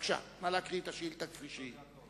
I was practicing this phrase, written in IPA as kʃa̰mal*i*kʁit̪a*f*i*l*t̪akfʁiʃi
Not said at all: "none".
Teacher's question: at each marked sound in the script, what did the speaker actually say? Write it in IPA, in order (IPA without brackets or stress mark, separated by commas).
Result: a, ʃ, l